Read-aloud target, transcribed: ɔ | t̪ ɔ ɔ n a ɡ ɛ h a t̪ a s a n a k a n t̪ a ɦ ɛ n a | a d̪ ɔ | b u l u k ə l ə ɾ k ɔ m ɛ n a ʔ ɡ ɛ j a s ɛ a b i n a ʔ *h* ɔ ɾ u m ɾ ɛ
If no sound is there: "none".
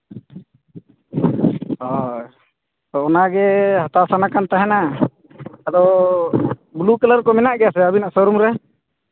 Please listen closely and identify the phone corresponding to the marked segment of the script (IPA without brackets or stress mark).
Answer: s